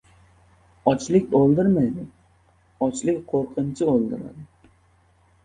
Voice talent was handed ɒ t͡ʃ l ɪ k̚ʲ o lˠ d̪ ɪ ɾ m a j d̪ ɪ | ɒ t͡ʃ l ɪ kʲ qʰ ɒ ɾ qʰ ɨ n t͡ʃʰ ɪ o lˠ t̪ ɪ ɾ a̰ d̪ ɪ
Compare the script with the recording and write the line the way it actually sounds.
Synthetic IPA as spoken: ɒ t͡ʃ l ɪ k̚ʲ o lˠ d̪ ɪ ɾ m a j d̪ ɪ | ɒ t͡ʃ l ɪ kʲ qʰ o ɾ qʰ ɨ n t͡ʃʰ ɪ o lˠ d̪ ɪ ɾ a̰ d̪ ɪ